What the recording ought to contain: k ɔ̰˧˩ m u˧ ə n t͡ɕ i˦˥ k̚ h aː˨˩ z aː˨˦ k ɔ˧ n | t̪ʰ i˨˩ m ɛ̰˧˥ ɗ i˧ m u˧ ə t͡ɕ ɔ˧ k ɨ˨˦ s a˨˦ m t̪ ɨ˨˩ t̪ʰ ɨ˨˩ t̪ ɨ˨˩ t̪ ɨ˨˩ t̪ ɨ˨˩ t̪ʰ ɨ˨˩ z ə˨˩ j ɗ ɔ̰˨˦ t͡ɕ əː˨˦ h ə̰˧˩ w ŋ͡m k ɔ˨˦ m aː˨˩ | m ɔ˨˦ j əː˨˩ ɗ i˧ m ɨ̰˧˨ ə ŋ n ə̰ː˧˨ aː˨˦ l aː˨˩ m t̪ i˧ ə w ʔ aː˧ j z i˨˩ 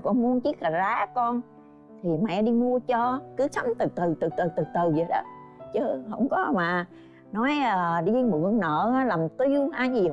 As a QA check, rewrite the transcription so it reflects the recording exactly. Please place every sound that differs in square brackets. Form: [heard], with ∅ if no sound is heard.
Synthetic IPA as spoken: k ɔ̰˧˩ m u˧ ə n t͡ɕ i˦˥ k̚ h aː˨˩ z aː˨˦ k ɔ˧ n | t̪ʰ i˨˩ m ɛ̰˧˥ ɗ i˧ m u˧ ə t͡ɕ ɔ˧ k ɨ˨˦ s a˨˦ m t̪ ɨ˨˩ [t̪] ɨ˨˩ t̪ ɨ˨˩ t̪ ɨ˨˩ t̪ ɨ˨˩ [t̪] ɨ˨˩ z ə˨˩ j ɗ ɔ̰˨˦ t͡ɕ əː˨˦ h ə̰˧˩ w ŋ͡m k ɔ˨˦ m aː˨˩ | [n] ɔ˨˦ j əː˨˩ ɗ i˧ m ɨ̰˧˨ ə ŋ n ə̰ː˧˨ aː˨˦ l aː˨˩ m t̪ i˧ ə w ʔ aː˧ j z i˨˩